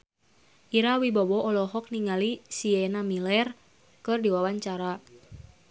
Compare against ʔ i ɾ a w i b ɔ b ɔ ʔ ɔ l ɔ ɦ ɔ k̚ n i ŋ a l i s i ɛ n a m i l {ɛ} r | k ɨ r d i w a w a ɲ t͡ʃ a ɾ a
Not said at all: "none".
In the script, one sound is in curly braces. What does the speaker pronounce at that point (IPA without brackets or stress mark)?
ɛ